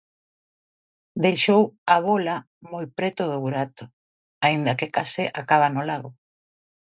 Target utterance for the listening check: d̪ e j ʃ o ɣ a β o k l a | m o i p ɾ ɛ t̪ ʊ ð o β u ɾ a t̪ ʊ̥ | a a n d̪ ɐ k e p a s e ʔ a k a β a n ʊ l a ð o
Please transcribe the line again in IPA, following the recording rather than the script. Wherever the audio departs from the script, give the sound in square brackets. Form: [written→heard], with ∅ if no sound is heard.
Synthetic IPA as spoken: d̪ e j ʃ o [ɣ→w] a β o [k→∅] l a | m o [i→j] p ɾ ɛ t̪ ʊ ð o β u ɾ a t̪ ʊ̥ | a [a→i] n d̪ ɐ k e [p→k] a s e ʔ a k a β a n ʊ l a [ð→ɣ] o